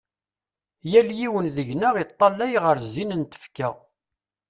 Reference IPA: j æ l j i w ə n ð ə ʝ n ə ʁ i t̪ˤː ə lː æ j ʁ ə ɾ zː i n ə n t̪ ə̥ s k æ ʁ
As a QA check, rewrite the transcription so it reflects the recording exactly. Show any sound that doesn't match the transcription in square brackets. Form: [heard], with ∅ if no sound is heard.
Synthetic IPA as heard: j æ l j i w ə n ð ə ʝ n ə ʁ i t̪ˤː [ɑ] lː æ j ʁ ə ɾ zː i n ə n t̪ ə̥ [f] k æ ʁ